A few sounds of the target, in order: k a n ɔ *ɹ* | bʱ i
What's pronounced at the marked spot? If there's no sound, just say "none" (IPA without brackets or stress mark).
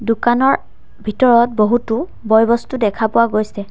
ɹ